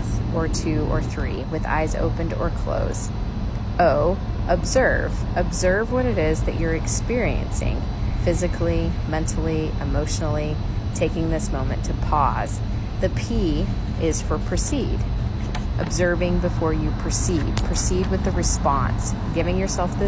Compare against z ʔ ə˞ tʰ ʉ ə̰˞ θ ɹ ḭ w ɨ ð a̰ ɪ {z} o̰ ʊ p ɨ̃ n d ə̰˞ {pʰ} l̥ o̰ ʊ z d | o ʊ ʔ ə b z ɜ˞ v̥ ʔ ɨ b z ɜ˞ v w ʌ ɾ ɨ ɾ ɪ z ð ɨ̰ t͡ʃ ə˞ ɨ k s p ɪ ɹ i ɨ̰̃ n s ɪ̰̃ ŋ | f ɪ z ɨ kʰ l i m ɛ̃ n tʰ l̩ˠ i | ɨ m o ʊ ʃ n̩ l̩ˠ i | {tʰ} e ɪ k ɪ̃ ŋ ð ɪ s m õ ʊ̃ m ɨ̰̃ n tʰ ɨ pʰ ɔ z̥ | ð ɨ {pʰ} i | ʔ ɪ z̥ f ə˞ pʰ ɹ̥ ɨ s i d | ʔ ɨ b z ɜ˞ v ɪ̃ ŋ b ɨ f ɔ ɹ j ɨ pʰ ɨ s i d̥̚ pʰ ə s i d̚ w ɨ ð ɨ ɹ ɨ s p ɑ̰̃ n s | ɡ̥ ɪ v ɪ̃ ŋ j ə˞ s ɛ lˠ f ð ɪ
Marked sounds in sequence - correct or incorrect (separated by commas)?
correct, incorrect, correct, correct